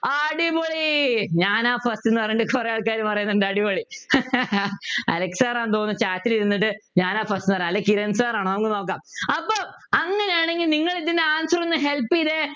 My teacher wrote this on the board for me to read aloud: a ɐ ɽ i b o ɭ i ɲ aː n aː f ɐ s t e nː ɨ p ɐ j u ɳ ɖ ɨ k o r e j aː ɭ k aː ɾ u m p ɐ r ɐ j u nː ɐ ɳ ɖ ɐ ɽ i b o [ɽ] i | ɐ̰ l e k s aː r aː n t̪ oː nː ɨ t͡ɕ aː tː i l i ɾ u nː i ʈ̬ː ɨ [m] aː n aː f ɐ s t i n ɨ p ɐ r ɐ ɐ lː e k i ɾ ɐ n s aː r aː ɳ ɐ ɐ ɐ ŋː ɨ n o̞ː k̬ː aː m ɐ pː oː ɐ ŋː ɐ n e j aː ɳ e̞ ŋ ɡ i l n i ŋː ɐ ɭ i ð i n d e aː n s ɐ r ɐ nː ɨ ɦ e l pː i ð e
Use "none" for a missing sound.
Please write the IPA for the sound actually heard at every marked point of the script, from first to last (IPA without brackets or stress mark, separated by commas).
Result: ɭ, ɲ